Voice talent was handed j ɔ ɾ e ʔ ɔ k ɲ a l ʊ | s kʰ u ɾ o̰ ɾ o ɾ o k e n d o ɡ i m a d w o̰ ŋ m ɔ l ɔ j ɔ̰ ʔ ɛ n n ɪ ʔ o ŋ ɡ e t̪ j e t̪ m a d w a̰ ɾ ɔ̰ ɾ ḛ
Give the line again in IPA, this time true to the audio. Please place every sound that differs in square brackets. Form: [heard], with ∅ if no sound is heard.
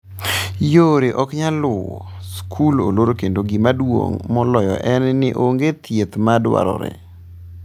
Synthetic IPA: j [o] ɾ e ʔ ɔ k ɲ a l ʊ | s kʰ u [l] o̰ [l] o ɾ o k e n d o ɡ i m a d w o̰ ŋ m ɔ l ɔ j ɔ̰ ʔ ɛ n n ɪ ʔ o ŋ ɡ e t̪ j e t̪ m a d w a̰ ɾ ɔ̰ ɾ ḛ